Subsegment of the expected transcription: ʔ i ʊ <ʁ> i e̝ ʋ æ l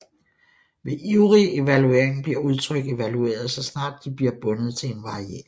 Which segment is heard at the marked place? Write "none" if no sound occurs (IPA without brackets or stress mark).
ʁ